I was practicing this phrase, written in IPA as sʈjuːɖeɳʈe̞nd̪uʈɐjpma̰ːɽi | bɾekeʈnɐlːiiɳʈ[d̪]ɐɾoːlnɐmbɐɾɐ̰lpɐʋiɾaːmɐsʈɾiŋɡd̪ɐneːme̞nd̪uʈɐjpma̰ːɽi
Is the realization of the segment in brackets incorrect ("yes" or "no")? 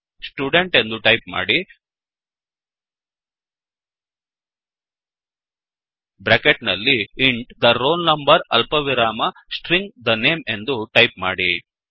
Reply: no